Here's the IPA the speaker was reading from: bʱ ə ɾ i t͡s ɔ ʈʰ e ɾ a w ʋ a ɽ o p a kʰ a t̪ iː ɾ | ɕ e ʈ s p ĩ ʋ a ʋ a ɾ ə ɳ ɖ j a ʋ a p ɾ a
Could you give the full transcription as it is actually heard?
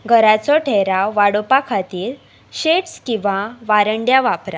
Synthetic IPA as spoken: ɡʱ ə ɾ a t͡s ɔ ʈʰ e ɾ a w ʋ a ɽ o p a kʰ a t̪ iː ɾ | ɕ e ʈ s k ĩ ʋ a ʋ a ɾ ə ɳ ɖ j a ʋ a p ɾ a